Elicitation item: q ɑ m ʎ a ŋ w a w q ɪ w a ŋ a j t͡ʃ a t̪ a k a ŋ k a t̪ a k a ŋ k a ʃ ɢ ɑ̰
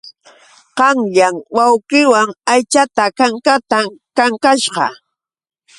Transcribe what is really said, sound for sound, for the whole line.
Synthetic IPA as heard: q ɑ ŋ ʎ a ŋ w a w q ɪ w a ŋ a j t͡ʃ a t̪ a k a ŋ k a t̪ a k a ŋ k a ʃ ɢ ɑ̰